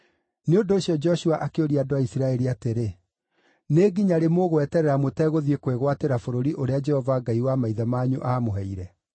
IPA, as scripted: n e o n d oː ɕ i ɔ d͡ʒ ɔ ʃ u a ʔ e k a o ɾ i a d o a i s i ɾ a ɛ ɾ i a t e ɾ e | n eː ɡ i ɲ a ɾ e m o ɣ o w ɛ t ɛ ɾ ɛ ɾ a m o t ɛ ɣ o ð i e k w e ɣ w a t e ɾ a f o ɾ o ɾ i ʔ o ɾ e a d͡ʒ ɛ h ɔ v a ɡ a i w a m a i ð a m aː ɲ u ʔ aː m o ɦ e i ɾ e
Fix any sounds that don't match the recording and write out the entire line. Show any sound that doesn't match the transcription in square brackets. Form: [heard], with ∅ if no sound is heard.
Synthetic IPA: n e o n d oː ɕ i ɔ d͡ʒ ɔ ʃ u a ʔ [a] k [e] o ɾ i a d o a i s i ɾ a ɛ ɾ i a t e ɾ e | n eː ɡ i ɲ a ɾ e m o ɣ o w ɛ t ɛ ɾ ɛ ɾ a m o t ɛ ɣ o ð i e k w e ɣ w a t e ɾ a f o ɾ o ɾ i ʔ o ɾ e a d͡ʒ ɛ h ɔ v a ɡ a i w a m a i ð a m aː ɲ u ʔ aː m o ɦ [ɛ] i ɾ [ɛ]